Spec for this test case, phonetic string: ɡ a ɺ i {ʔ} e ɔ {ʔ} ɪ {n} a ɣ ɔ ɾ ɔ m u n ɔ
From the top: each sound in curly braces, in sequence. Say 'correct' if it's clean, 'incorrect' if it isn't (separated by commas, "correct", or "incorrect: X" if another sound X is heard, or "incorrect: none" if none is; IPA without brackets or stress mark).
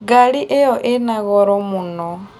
correct, correct, correct